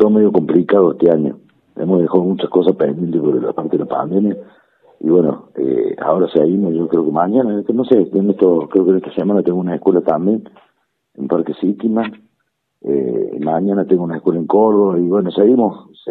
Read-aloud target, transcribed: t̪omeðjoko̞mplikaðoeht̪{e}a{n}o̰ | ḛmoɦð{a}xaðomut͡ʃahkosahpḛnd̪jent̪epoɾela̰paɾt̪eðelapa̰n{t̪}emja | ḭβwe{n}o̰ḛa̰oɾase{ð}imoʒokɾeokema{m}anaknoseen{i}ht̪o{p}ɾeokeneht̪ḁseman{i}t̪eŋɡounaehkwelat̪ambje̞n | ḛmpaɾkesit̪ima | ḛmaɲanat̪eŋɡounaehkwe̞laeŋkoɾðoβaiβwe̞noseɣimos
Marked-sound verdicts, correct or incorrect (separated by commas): correct, incorrect, incorrect, incorrect, correct, incorrect, incorrect, incorrect, incorrect, incorrect